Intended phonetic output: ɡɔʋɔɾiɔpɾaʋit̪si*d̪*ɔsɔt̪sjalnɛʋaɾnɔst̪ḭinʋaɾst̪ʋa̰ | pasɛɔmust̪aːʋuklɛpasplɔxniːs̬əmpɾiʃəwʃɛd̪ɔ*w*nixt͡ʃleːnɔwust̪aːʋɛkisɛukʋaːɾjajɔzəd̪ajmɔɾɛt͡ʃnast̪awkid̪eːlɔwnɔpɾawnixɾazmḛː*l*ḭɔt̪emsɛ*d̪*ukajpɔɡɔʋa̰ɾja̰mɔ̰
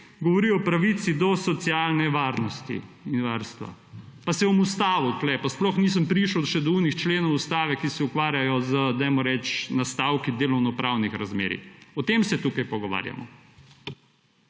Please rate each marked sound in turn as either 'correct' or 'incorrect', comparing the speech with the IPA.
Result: correct, incorrect, incorrect, incorrect

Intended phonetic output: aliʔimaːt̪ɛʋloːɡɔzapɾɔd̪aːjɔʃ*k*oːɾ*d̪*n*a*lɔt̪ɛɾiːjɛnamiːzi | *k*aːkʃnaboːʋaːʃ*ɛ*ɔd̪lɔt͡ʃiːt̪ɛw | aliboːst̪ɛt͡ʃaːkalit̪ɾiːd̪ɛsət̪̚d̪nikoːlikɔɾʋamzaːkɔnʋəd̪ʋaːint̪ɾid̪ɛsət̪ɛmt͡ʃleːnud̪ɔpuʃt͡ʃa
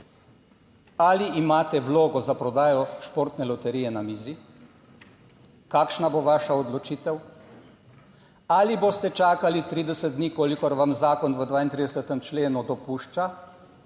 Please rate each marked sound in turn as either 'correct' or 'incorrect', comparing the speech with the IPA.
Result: incorrect, incorrect, incorrect, correct, incorrect

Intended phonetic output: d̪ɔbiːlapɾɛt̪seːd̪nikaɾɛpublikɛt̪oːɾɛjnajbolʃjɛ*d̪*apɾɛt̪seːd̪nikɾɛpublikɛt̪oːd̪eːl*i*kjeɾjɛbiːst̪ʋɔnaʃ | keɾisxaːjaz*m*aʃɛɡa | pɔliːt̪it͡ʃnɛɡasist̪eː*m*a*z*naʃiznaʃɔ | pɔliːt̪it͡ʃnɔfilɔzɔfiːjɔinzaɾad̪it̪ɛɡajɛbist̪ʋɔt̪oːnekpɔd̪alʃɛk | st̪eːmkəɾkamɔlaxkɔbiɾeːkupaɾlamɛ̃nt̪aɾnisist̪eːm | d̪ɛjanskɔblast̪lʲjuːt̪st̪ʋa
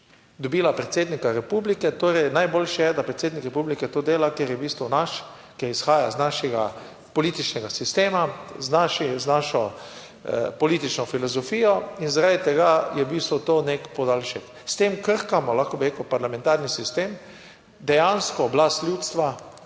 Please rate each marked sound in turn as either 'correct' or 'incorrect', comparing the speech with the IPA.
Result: correct, incorrect, incorrect, correct, correct

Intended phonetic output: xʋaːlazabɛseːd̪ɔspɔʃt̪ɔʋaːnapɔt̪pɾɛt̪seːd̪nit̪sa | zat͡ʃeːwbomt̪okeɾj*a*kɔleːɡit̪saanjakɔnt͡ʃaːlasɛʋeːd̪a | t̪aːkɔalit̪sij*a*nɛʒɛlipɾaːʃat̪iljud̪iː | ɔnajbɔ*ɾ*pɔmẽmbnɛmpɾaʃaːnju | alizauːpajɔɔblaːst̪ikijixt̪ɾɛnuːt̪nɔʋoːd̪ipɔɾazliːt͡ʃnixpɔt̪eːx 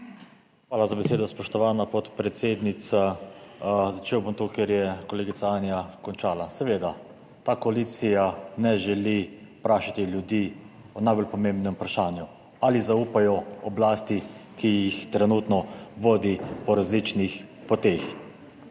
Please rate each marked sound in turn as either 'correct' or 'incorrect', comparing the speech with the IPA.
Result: incorrect, correct, incorrect

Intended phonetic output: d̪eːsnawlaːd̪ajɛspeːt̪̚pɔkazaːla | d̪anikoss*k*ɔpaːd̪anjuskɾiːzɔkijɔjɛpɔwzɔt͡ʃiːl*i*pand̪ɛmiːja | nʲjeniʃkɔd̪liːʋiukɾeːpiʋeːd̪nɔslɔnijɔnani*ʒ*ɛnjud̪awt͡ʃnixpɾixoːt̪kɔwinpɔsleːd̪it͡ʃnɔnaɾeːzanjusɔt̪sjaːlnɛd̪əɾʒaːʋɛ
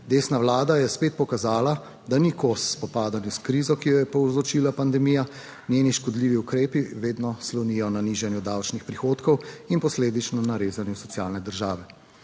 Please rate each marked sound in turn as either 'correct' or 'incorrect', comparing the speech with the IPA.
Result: incorrect, incorrect, correct

